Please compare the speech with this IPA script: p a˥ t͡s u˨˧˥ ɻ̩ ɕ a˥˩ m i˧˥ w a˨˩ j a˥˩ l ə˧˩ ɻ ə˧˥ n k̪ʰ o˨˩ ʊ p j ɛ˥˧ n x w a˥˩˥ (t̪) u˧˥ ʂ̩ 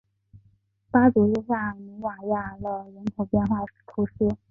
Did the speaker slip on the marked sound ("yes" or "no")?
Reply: yes